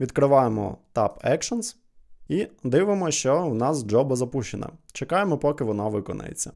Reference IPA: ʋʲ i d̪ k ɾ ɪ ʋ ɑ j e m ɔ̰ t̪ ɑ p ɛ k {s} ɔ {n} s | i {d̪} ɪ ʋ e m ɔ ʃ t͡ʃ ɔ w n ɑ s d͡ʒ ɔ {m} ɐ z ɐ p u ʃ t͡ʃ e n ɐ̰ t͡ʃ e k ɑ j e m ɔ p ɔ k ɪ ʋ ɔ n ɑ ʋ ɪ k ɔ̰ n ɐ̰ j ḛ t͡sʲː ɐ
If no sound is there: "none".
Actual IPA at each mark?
ʃ, n, d̪, b

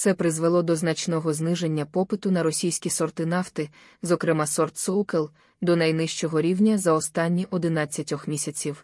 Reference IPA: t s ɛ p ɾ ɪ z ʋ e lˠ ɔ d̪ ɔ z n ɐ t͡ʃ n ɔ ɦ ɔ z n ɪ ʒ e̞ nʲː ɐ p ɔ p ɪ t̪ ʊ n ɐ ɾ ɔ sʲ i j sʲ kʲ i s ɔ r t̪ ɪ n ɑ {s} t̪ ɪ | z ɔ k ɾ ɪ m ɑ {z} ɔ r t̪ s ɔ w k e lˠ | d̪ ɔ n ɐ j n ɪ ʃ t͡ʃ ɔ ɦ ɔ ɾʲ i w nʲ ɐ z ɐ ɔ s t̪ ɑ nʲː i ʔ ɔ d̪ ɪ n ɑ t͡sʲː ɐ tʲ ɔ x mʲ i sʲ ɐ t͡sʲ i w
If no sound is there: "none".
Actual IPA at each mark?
f, s

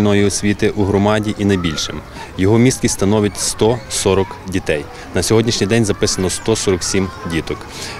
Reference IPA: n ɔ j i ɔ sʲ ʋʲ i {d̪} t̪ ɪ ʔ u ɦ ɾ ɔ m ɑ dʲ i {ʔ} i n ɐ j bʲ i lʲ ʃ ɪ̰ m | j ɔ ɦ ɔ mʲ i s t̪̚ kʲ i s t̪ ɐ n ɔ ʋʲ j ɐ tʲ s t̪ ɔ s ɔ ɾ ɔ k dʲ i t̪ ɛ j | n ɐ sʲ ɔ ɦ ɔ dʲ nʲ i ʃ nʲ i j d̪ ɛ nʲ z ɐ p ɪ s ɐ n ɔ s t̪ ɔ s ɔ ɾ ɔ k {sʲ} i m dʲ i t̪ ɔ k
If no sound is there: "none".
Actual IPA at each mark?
none, ʔ, sʲ

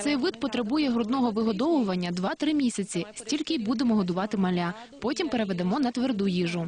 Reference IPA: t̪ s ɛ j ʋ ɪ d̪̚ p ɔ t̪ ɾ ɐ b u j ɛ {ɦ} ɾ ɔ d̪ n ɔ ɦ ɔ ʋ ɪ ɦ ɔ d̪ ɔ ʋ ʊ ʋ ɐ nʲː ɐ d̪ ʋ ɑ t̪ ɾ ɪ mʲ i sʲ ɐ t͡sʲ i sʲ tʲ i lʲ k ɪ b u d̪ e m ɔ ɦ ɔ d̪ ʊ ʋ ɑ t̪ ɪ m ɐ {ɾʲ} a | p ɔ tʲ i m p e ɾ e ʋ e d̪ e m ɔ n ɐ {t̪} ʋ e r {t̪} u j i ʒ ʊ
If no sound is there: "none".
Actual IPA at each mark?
ɦ, lʲ, t̪, d̪

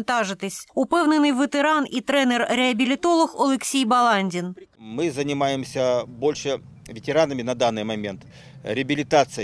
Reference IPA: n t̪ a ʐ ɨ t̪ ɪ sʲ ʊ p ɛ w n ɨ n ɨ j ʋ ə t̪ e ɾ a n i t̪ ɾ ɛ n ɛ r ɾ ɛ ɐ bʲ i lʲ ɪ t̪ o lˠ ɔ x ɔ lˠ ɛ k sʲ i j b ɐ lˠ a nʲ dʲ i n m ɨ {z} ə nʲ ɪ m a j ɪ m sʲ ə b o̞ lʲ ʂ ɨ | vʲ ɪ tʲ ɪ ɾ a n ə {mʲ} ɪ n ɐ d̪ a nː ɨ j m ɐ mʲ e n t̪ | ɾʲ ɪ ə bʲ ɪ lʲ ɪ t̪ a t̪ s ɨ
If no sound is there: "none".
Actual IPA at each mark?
z, mʲ

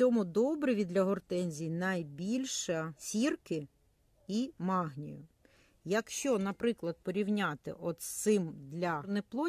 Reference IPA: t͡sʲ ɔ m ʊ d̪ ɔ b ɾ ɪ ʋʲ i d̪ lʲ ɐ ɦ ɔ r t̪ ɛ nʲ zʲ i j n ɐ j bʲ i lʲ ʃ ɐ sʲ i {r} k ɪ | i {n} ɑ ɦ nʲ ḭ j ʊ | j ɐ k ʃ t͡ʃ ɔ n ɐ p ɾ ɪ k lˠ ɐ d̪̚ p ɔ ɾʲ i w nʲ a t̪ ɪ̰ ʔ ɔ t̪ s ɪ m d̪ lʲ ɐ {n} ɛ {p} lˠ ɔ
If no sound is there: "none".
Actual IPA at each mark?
r, m, n, p

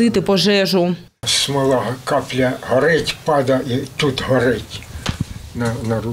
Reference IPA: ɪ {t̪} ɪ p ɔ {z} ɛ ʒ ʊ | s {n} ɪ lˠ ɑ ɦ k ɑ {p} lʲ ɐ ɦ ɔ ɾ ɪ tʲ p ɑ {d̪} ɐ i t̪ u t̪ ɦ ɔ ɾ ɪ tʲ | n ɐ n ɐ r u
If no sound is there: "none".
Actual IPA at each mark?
t̪, ʒ, m, p, d̪

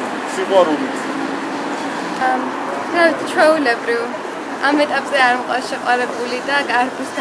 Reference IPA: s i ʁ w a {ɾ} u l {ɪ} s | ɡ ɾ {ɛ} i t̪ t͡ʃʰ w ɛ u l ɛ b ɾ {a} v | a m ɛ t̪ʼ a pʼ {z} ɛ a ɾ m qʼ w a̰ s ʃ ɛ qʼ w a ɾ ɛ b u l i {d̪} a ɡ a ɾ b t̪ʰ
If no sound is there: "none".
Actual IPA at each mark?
ɾ, i, a, i, z, d̪

